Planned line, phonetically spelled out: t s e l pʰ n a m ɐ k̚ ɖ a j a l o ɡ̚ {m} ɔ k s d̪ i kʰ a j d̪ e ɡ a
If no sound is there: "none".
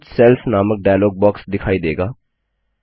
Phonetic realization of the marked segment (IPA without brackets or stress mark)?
b